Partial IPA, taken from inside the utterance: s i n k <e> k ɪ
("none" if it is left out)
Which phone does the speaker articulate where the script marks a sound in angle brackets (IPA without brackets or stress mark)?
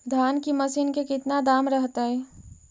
e